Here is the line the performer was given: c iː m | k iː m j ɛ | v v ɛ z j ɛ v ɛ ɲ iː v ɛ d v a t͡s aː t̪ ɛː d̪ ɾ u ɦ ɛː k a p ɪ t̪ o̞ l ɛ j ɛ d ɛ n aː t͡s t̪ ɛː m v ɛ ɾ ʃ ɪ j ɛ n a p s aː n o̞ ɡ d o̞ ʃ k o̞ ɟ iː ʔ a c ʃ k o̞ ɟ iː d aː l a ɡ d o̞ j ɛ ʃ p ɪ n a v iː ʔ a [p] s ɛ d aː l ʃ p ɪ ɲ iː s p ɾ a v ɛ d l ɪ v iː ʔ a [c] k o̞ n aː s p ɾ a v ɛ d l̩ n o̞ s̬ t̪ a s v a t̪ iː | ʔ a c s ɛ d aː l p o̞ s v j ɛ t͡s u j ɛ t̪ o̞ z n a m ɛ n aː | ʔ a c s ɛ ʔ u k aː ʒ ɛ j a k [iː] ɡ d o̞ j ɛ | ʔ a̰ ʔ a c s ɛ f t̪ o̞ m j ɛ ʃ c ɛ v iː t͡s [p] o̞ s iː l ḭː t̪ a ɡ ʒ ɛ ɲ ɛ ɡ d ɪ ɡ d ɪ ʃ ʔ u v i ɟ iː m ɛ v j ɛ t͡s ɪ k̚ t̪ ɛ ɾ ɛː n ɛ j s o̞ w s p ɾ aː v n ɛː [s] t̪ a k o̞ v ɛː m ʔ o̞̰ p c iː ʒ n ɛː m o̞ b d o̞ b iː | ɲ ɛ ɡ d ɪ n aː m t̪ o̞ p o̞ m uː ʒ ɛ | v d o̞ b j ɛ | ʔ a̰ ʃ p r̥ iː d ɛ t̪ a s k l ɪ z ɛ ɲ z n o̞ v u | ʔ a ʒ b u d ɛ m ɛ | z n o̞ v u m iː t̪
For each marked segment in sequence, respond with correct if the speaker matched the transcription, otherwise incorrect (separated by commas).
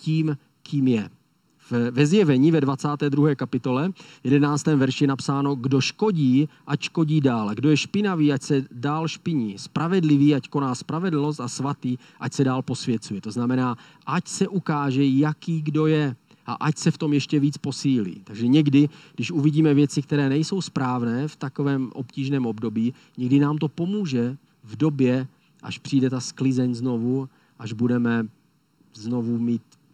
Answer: incorrect, correct, correct, correct, incorrect